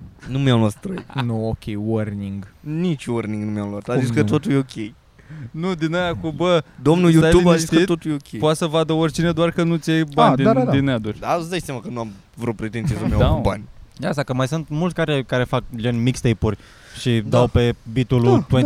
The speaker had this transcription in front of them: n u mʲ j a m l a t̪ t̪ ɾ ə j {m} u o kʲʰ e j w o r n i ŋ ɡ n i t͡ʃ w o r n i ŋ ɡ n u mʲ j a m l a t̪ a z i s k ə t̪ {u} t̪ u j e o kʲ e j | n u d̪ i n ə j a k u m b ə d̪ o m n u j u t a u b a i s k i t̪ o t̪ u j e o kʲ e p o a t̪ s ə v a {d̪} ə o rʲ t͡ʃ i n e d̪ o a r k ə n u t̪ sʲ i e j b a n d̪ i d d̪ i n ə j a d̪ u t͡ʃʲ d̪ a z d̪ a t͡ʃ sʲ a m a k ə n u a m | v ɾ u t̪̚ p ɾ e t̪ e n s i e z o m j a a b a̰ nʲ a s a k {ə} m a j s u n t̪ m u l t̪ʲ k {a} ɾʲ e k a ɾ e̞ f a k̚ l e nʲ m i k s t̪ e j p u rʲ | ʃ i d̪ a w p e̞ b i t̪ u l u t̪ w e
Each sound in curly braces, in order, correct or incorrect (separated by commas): incorrect, incorrect, correct, correct, correct